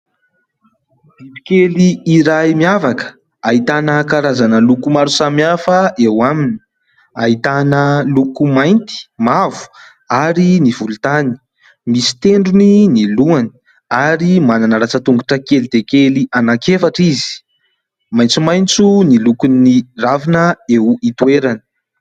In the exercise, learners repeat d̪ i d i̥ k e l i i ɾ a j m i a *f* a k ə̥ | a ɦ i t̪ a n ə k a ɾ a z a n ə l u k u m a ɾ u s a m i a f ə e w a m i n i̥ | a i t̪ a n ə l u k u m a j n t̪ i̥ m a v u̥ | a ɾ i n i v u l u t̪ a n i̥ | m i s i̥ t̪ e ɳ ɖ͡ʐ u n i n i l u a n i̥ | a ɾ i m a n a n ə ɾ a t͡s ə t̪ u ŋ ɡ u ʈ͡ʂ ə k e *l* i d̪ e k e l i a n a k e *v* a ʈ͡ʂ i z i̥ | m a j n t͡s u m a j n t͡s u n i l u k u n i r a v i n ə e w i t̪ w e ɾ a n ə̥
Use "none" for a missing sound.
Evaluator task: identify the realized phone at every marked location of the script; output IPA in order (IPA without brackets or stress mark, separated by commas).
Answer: v, l, f